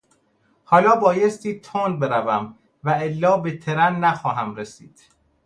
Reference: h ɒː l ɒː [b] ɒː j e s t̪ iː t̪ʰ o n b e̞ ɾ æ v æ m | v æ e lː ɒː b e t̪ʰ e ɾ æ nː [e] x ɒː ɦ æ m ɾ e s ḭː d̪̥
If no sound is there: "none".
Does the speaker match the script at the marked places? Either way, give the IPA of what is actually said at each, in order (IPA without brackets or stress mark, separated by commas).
b, æ